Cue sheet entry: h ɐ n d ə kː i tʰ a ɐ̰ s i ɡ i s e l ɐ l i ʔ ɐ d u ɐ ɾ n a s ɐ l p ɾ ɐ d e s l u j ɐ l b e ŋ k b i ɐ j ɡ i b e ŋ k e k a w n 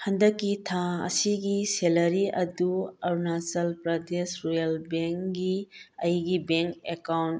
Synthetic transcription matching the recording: h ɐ n d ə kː i tʰ a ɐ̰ s i ɡ i s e l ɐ ɾ i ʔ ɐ d u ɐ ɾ n a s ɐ l p ɾ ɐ d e s ɾ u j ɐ l b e ŋ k ɡ i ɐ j ɡ i b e ŋ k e k a w n